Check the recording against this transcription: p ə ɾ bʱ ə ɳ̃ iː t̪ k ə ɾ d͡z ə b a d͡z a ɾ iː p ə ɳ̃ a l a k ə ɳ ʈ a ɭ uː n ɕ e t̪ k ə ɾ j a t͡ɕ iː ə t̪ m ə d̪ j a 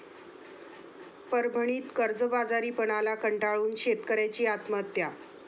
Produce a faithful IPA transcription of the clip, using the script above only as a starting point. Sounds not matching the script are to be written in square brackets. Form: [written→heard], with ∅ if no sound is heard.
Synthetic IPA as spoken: p ə ɾ bʱ ə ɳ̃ iː t̪ k ə ɾ d͡z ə b a d͡z a ɾ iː p ə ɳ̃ a l a k ə ɳ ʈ a ɭ uː n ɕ e t̪ k ə ɾ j a t͡ɕ iː [ə→a] t̪ m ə [d̪→t̪] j a

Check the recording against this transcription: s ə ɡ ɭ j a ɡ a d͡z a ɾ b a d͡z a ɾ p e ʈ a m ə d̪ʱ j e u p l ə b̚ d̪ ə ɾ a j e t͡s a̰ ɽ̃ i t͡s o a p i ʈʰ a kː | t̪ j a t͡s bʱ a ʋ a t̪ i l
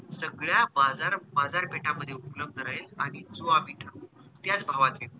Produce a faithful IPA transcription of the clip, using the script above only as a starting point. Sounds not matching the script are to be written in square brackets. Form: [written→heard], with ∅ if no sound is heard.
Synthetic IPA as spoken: s ə ɡ ɭ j a [ɡ→b] a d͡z a ɾ b a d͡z a ɾ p e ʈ a m ə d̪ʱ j e u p l ə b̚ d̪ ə ɾ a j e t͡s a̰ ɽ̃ i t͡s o a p i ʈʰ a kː | t̪ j a t͡s bʱ a ʋ a t̪ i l

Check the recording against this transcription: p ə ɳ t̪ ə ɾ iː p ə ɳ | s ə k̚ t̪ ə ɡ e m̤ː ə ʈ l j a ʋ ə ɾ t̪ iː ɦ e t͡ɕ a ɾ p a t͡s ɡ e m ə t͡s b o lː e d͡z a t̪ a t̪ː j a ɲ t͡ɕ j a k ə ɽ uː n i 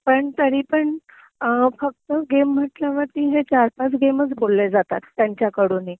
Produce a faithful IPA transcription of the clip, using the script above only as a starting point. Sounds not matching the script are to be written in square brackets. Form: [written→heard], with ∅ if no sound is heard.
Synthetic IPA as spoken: p ə ɳ t̪ ə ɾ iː p ə ɳ | [s→f] ə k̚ t̪ ə ɡ e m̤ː ə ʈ l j a ʋ ə ɾ t̪ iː ɦ e t͡ɕ a ɾ p a t͡s ɡ e m ə t͡s b o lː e d͡z a t̪ a t̪ː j a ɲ t͡ɕ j a k ə ɽ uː n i

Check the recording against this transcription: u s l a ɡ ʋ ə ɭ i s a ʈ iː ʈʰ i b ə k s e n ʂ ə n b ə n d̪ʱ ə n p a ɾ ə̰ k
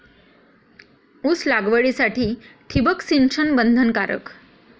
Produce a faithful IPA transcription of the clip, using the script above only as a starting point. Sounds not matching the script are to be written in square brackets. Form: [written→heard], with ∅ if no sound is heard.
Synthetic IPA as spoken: u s l a ɡ ʋ ə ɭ i s a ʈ iː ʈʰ i b ə k s [e→i] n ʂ ə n b ə n d̪ʱ ə n [p→k] a ɾ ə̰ k

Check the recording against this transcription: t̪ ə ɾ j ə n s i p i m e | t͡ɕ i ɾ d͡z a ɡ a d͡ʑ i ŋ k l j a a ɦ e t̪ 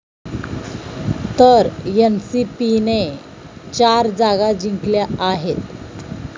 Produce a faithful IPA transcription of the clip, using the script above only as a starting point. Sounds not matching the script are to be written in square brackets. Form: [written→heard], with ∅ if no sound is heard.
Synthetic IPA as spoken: t̪ ə ɾ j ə n s i p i [m→n] e | t͡ɕ [i→a] ɾ d͡z a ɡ a d͡ʑ i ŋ k l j a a ɦ e t̪

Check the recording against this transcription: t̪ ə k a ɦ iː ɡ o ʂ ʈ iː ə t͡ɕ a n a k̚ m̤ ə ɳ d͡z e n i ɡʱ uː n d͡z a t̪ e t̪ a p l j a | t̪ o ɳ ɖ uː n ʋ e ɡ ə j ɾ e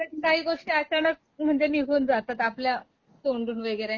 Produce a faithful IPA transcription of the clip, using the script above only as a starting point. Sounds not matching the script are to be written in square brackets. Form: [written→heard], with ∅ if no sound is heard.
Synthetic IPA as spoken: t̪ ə k a ɦ iː ɡ o ʂ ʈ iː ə t͡ɕ a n [a→ə] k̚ m̤ ə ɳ d͡z e n i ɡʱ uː n d͡z a t̪ [e→a] t̪ a p l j a | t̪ o ɳ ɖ uː n ʋ e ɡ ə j ɾ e

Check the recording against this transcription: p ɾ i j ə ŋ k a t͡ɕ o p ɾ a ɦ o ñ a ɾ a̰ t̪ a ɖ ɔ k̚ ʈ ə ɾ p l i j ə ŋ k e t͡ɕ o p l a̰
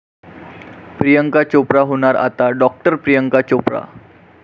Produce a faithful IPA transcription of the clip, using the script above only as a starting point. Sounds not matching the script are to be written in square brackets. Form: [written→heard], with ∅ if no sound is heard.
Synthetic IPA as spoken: p ɾ i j ə ŋ k a t͡ɕ o p ɾ a ɦ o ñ a ɾ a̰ t̪ a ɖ ɔ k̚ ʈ ə ɾ p [l→ɾ] i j ə ŋ k [e→a] t͡ɕ o p [l→ɾ] a̰

